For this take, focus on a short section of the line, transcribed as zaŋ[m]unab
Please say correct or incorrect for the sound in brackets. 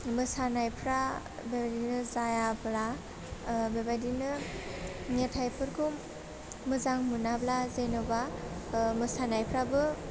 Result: correct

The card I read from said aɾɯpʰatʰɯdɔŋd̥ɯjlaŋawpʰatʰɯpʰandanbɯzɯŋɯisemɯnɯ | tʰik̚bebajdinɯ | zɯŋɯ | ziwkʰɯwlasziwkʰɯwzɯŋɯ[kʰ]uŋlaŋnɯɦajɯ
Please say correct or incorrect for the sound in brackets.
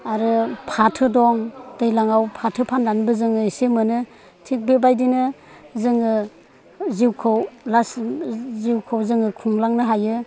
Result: correct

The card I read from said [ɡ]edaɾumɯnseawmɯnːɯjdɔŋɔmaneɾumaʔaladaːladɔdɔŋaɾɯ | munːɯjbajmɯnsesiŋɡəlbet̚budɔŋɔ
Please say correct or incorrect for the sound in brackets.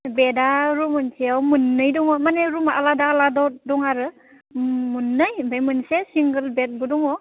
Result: incorrect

